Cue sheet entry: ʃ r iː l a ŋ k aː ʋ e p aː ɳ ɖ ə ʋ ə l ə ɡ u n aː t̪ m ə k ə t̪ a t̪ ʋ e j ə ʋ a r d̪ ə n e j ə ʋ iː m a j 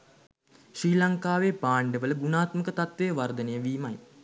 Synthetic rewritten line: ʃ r iː l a ŋ k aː ʋ e p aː ɳ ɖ ə ʋ ə l ə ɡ u n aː t̪ m ə k ə t̪ a t̪ ʋ e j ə ʋ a r d̪ ə n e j ə ʋ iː m a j

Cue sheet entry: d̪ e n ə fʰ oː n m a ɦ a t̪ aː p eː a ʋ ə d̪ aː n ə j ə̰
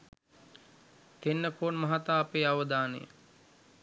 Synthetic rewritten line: t̪ e nː ə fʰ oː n m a ɦ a t̪ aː p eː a ʋ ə d̪ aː n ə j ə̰

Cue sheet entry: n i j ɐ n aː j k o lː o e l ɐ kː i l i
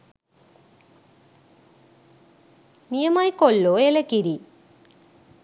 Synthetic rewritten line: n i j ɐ m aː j k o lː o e l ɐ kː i ɾ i

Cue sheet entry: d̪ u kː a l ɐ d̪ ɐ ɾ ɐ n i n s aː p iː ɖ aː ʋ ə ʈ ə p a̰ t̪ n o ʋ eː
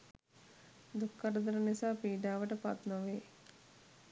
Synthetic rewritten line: d̪ u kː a ɾ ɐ d̪ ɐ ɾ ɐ n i s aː p iː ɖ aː ʋ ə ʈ ə p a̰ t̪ n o ʋ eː

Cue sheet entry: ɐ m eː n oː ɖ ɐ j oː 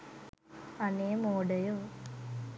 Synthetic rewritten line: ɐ n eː m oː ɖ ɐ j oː

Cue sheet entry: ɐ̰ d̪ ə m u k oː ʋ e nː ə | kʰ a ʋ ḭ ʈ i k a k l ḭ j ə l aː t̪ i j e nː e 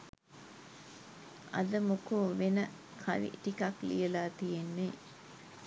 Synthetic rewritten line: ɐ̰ d̪ ə m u k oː ʋ e n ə | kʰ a ʋ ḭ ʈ i k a k l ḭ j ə l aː t̪ i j e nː e

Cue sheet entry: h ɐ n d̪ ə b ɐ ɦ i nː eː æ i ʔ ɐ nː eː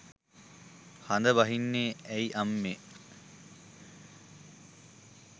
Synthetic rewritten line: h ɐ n d̪ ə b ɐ ɦ i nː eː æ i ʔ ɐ mː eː

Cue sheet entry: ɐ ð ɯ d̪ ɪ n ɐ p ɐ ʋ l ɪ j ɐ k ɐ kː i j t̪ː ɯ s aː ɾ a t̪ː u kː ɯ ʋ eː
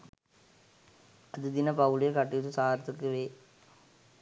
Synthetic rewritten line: ɐ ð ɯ d̪ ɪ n ɐ p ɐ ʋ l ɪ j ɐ k ɐ ʈː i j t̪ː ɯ s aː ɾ ɐ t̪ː ɯ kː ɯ ʋ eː

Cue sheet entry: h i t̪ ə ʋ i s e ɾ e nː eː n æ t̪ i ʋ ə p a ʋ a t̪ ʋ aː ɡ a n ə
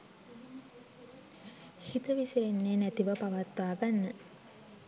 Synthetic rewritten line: h i t̪ ə ʋ i s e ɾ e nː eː n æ t̪ i ʋ ə p a ʋ a t̪ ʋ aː ɡ a nː ə

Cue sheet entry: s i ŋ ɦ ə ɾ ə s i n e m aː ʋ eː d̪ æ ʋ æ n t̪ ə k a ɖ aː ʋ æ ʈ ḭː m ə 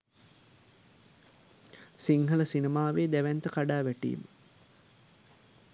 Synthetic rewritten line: s i ŋ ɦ ə l ə s i n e m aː ʋ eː d̪ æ ʋ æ n t̪ ə k a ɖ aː ʋ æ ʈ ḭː m ə

